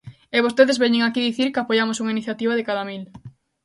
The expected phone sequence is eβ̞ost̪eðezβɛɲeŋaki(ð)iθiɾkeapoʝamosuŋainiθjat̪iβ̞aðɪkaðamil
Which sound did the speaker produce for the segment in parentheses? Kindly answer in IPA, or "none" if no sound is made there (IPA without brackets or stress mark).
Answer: ð